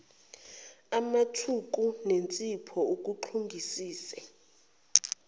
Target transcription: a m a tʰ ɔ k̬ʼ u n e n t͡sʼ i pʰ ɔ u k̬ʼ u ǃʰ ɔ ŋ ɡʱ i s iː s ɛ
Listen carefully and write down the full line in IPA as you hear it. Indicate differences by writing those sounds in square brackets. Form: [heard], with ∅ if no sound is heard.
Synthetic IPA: a m a tʰ [u] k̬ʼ u n e n t͡sʼ i pʰ ɔ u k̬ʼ u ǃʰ [u] ŋ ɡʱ i s iː s ɛ